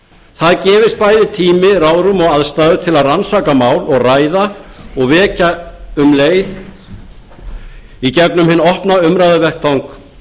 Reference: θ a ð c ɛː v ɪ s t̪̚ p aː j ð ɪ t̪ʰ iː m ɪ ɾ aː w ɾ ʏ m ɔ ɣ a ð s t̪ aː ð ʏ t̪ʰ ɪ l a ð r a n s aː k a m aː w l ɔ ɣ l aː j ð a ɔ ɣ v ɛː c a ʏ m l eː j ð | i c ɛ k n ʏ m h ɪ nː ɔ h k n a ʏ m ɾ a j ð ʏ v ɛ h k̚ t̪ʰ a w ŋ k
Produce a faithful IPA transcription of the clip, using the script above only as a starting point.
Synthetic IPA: θ a ð c ɛː v ɪ s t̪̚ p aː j ð ɪ t̪ʰ iː m ɪ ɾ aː w ɾ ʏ m ɔ ɣ a ð s t̪ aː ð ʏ t̪ʰ ɪ l a ð r a n s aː k a m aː w l ɔ ɣ r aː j ð a ɔ ɣ v ɛː c a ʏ m l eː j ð | i c ɛ k n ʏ m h ɪ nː ɔ h p n a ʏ m ɾ a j ð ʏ v ɛ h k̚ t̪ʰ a w ŋ k